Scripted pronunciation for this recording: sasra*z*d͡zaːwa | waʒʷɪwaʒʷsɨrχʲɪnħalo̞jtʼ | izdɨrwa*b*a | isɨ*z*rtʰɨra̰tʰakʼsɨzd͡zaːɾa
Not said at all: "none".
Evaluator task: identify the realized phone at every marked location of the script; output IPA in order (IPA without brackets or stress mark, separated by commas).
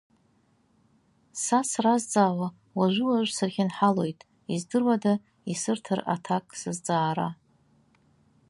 z, d, none